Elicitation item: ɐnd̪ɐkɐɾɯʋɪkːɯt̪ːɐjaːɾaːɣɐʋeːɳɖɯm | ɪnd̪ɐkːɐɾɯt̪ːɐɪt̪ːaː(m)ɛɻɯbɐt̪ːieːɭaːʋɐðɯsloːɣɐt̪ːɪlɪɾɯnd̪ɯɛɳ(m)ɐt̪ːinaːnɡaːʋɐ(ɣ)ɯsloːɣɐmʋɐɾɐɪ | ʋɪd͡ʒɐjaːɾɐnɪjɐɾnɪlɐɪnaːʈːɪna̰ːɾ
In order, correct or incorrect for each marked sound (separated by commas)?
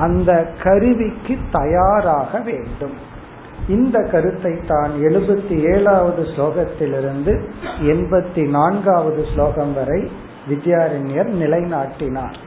incorrect, incorrect, incorrect